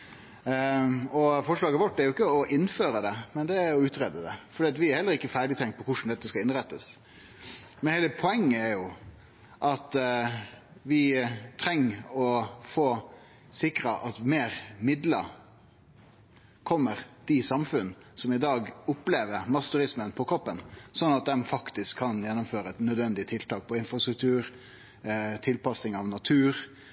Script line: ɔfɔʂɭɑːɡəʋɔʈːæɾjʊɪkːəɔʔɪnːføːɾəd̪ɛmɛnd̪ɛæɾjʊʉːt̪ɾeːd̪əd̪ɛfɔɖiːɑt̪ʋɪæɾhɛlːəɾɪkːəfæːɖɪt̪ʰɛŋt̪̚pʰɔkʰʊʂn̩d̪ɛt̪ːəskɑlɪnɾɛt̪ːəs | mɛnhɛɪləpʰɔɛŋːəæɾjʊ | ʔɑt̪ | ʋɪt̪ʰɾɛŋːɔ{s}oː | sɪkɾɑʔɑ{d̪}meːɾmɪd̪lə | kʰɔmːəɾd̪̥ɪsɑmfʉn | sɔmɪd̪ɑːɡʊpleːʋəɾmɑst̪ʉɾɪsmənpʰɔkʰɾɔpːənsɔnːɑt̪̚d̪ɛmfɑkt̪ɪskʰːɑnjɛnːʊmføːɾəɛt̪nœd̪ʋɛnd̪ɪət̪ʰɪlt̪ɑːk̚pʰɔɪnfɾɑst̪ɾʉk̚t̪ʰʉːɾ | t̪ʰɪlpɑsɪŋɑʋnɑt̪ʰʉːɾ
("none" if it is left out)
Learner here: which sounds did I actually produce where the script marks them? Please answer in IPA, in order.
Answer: f, t̪

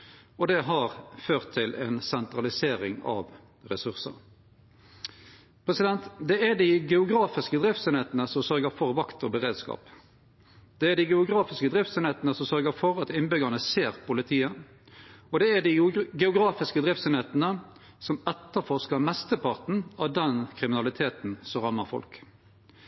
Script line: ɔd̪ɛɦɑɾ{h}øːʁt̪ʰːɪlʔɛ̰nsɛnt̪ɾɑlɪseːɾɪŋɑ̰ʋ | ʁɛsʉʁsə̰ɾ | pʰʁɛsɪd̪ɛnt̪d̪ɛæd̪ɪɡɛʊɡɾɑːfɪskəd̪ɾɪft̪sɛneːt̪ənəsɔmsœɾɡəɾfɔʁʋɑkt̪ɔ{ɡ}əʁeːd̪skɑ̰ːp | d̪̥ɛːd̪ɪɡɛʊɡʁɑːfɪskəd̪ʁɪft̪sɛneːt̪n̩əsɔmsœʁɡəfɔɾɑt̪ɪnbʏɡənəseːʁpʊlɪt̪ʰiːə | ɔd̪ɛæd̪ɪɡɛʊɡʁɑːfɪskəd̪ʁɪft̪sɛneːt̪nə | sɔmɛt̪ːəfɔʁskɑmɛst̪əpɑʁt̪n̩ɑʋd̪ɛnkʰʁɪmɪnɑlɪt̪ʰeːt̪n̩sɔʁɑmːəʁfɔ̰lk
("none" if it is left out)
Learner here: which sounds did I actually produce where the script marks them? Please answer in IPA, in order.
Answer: f, b

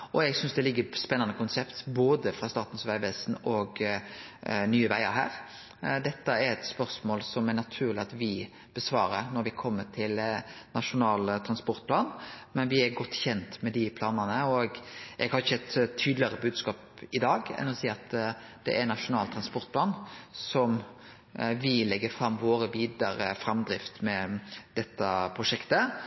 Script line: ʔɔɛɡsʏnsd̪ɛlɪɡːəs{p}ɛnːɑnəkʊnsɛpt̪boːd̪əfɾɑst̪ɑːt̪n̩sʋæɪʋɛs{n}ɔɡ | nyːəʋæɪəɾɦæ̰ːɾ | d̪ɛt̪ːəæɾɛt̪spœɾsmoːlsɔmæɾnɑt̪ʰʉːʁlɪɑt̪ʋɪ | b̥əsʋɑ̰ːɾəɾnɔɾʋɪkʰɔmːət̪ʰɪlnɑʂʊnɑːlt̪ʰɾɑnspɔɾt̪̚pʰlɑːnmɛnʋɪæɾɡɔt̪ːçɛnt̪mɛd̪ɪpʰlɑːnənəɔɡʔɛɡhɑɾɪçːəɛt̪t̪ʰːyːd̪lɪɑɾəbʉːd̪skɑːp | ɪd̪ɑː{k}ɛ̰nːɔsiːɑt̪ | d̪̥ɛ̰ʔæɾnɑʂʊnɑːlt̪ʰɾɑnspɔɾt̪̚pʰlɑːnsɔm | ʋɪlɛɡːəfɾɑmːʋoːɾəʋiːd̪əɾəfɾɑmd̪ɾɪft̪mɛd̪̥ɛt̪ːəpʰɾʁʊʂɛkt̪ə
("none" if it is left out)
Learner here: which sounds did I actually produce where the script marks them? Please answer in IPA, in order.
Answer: p, n, ɡ

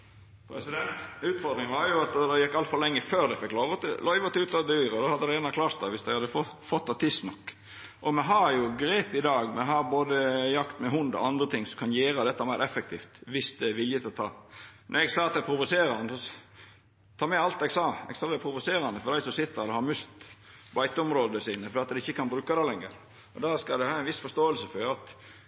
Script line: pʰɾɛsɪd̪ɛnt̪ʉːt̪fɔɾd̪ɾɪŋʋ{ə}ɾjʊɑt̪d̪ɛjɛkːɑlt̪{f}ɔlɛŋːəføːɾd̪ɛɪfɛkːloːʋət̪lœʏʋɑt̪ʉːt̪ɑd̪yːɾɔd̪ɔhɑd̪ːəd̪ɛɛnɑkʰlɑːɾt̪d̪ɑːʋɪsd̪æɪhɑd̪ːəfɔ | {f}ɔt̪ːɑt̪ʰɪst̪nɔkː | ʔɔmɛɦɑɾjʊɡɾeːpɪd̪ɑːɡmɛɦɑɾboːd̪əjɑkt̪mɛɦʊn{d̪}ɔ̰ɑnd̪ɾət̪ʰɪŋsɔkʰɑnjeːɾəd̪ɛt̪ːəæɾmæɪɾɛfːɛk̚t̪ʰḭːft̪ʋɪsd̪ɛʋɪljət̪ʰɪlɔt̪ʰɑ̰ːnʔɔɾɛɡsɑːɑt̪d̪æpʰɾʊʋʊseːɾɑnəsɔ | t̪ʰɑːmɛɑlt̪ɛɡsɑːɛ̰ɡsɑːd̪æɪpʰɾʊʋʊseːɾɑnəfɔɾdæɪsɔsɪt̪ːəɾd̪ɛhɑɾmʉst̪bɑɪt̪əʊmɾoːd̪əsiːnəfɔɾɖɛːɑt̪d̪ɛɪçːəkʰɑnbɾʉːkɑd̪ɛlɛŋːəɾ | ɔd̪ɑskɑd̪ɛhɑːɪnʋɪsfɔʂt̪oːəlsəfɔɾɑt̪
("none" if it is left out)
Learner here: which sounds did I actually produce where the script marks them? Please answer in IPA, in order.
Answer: ɑ, f, f, d̪

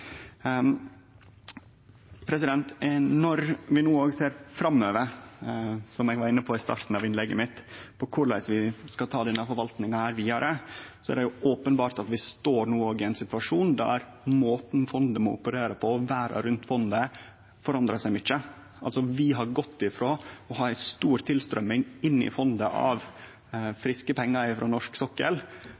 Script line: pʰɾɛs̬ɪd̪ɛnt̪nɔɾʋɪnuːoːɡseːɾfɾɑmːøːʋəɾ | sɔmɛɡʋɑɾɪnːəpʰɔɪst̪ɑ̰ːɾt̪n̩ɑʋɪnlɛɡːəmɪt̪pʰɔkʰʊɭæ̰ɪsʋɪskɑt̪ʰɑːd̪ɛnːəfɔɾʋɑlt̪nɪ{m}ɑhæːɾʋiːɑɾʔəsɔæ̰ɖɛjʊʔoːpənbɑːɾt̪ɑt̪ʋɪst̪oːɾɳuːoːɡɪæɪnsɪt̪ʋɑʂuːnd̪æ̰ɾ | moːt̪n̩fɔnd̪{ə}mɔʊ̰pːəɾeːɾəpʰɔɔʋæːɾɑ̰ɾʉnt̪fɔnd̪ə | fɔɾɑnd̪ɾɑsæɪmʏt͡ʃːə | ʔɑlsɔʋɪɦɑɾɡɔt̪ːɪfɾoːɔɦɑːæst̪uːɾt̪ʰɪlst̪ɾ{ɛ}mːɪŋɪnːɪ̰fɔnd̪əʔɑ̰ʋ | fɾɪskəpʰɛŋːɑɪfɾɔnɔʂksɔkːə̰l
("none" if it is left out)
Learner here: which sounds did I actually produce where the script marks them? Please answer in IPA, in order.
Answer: ŋ, ə, œ

